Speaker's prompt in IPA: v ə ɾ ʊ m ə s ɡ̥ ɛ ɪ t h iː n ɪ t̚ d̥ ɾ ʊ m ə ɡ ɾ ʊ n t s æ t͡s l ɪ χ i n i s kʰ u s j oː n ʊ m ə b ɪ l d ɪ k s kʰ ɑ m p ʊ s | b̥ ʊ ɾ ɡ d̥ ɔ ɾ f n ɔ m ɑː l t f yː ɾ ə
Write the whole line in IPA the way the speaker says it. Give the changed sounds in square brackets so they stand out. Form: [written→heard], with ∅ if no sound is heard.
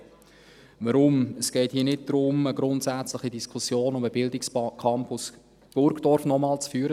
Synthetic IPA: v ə ɾ ʊ m ə s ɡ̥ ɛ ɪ t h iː n ɪ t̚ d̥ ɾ ʊ m ə ɡ ɾ ʊ n t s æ t͡s l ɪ χ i [n→d] i s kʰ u s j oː n ʊ m ə b ɪ l d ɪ k s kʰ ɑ m p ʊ s | b̥ ʊ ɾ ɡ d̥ ɔ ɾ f n ɔ m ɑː l [t→t͡s] f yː ɾ ə

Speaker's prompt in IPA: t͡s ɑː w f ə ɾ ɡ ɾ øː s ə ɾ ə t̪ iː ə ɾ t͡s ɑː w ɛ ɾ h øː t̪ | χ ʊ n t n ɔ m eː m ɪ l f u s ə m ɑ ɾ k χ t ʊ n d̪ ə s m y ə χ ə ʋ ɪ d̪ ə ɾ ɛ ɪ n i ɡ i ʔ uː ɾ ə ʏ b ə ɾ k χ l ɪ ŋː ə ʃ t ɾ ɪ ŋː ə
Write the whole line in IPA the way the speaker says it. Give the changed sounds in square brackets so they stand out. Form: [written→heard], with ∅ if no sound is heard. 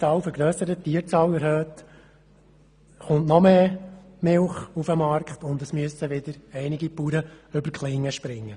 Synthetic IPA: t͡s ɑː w f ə ɾ ɡ ɾ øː s ə ɾ ə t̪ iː ə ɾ t͡s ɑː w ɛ ɾ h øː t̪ | χ ʊ n t n ɔ m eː m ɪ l [f→χ] u [s→f] ə m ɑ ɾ k χ t ʊ n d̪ ə s m y ə [χ→s] ə ʋ ɪ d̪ ə ɾ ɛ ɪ n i ɡ i [ʔ→p] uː ɾ ə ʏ b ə ɾ k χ l ɪ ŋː ə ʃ [t→p] ɾ ɪ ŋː ə

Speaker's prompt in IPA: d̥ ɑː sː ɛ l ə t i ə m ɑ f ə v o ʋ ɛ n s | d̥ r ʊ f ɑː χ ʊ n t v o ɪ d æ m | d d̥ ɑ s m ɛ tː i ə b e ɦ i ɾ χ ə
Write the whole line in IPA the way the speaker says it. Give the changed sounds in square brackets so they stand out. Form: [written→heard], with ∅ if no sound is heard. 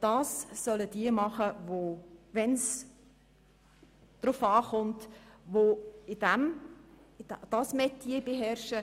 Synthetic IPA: d̥ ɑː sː [ɛ→œ] l ə [t→d] i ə m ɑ [f→χ] ə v o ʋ ɛ n s | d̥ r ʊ f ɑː χ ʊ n t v o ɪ d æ m | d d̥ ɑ s m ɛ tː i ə b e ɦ [i→ɛ] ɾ [χ→ʃ] ə

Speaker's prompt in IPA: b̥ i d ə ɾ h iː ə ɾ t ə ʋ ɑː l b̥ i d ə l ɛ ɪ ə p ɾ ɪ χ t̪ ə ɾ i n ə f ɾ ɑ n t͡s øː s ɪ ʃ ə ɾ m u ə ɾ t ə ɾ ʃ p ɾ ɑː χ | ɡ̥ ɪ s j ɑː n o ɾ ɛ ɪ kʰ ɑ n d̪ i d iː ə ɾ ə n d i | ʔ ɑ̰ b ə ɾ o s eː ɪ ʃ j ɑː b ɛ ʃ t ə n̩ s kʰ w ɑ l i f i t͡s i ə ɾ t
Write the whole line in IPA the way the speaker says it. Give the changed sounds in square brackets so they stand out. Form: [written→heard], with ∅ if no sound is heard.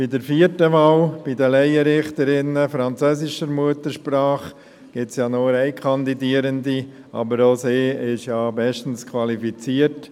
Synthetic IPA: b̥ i d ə ɾ [h→f] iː ə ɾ t ə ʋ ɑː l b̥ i d ə l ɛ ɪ ə [p→∅] ɾ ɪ χ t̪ ə ɾ [i→ɪ] n ə f ɾ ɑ n t͡s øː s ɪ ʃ ə ɾ m u ə [ɾ→∅] t ə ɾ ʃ p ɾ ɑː χ | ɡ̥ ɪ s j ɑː n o ɾ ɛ ɪ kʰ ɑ n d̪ i d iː ə ɾ ə n d i | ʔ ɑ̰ b ə ɾ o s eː ɪ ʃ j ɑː b ɛ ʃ t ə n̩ s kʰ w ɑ l i f i t͡s i ə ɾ t

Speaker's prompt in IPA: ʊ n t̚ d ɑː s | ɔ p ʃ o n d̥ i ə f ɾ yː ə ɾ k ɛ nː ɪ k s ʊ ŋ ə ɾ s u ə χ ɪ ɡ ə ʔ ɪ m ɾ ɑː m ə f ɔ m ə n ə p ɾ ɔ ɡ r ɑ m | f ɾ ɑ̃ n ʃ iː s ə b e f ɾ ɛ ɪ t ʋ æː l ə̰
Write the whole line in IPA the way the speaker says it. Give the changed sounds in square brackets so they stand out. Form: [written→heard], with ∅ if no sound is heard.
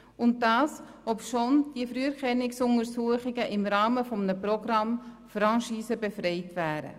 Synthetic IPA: ʊ n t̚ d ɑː s | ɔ p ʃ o n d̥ i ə f ɾ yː ə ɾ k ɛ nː ɪ k s ʊ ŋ ə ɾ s u ə χ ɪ ɡ ə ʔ ɪ m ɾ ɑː m ə f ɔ m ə n ə p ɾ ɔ ɡ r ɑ m | f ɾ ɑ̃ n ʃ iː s ə b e f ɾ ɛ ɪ t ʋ æː [l→ɾ] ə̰

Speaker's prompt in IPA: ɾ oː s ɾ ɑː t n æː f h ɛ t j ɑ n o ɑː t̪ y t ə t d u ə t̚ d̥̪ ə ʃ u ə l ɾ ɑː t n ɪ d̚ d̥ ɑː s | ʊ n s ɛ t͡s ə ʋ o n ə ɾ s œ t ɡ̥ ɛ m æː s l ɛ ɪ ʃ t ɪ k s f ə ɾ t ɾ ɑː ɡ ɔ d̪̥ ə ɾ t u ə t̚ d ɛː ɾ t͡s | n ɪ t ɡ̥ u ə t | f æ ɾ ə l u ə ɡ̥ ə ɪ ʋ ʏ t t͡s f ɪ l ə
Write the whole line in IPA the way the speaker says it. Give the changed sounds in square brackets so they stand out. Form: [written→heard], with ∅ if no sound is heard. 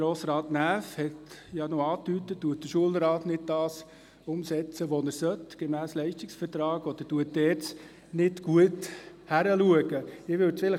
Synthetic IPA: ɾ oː s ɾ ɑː t n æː f h ɛ t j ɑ n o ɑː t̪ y t ə t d u ə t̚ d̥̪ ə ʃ u ə l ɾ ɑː t n ɪ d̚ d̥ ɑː s | ʊ [n→m] s ɛ t͡s ə ʋ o n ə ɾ s œ t ɡ̥ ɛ m æː s l ɛ ɪ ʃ t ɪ k s f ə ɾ t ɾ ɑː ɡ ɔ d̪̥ ə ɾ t u ə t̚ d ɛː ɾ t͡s | n ɪ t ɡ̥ u ə t | [f→h] æ ɾ ə l u ə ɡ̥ ə ɪ ʋ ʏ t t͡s f ɪ l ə

